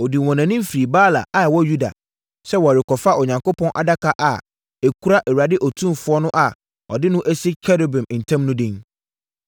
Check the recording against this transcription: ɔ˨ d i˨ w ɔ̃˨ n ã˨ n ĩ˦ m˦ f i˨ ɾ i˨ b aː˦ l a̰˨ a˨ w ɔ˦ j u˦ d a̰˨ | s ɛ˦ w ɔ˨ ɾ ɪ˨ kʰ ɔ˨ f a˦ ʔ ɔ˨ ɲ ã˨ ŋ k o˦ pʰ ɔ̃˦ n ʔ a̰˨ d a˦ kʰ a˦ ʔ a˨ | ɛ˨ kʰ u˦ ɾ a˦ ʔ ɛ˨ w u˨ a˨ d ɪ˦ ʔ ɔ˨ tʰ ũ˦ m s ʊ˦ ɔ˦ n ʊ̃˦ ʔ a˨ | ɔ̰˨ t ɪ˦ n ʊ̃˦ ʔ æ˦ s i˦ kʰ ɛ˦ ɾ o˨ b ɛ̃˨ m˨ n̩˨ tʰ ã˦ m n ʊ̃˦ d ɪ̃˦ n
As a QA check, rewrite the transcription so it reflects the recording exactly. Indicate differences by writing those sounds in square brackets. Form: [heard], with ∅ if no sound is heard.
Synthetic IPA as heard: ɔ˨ d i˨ w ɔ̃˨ n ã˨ n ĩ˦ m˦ f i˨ ɾ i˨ b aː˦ l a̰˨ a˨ w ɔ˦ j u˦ d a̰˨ | s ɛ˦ w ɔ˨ ɾ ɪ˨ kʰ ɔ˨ f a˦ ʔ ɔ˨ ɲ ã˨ ŋ k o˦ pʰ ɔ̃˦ n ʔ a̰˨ d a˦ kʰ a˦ ʔ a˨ | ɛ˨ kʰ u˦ ɾ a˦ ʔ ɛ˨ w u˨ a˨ d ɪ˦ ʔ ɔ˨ tʰ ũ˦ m [f] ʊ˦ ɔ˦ n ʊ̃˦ ʔ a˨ | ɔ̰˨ [d] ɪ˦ n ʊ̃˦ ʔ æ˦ s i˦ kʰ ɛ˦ ɾ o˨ b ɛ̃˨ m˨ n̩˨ tʰ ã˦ m n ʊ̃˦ d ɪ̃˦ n